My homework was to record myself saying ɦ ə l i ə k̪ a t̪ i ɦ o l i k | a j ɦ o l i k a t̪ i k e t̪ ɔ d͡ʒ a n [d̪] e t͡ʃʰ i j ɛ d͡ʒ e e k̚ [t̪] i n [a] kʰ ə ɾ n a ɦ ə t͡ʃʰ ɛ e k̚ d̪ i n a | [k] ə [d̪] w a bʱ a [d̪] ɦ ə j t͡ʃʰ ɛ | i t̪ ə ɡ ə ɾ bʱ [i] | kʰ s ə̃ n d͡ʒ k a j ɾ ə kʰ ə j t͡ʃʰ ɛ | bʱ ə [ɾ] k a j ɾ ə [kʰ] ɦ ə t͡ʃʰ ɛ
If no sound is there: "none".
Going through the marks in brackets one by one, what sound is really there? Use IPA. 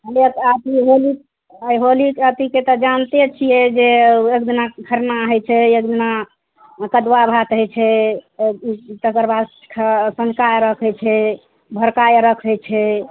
t̪, d̪, a, k, d̪, t̪, a, ɾ, kʰ

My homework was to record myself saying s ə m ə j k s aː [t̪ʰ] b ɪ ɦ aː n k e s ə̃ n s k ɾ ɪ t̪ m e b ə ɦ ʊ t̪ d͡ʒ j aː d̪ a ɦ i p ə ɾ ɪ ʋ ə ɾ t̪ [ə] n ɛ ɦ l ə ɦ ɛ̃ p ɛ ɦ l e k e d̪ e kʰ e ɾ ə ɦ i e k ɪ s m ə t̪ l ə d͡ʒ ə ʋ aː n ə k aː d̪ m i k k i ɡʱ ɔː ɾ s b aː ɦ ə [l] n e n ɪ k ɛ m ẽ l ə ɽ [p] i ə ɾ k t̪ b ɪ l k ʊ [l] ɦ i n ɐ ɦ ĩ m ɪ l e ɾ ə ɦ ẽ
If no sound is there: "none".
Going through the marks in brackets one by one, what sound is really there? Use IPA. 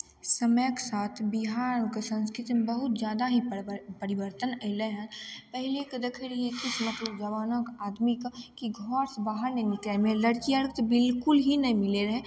t̪ʰ, ə, ɾ, k, l

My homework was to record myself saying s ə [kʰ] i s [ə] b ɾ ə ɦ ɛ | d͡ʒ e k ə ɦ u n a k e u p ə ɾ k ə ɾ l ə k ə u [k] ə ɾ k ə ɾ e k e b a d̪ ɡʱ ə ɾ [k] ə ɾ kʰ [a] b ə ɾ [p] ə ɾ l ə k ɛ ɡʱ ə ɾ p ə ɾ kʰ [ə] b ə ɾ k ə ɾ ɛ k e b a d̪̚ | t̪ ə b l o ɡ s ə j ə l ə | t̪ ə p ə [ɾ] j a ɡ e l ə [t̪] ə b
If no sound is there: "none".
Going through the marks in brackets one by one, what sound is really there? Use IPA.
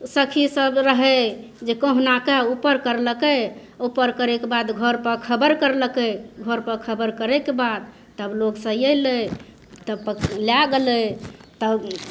kʰ, ə, p, p, ə, k, ə, l, t̪

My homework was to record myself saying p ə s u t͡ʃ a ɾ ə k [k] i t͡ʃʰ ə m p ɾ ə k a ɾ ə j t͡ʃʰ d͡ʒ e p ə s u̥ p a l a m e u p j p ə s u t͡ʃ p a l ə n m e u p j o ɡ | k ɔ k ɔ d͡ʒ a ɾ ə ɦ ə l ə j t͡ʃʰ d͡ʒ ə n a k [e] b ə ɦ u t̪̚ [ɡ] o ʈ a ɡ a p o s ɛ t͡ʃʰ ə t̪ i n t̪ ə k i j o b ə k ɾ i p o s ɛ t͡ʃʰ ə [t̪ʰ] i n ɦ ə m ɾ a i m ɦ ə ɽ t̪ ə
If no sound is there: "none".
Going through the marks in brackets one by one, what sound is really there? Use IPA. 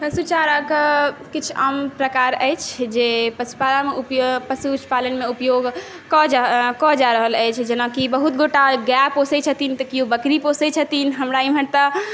k, i, ɡ, t̪

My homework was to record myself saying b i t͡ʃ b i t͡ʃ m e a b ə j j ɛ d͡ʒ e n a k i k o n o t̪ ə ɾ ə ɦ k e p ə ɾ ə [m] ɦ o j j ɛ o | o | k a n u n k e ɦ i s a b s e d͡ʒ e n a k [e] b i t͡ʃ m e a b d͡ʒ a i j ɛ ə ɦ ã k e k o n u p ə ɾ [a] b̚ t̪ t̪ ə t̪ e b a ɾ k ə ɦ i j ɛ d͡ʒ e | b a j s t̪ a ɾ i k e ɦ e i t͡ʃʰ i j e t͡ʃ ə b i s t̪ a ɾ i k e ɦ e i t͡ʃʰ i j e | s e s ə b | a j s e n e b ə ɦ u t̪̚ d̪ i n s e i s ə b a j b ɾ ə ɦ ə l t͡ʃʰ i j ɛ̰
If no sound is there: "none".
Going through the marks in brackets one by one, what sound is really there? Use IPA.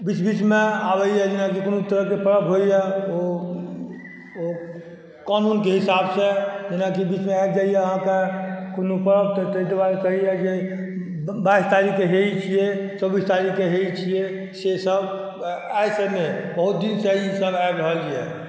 b, i, ə

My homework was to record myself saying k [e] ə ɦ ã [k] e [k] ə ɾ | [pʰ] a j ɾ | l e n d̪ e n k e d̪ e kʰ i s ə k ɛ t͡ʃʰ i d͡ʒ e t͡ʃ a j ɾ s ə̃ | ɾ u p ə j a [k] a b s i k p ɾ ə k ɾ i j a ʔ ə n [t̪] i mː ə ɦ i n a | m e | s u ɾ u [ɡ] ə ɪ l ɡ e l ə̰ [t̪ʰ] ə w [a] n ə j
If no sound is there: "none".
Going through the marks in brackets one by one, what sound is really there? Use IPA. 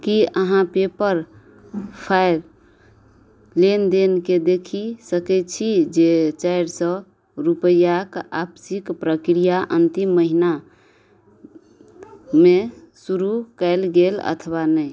i, p, p, pʰ, k, t̪, k, t̪ʰ, a

